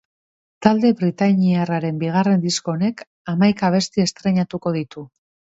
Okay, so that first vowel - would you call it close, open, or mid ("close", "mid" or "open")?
open